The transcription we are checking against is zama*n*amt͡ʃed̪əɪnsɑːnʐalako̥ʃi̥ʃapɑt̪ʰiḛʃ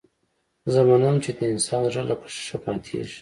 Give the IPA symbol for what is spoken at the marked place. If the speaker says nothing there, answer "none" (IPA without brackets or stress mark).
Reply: n